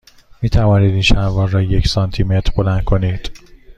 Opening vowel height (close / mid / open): close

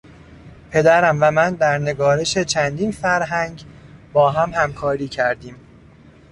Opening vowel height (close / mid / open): mid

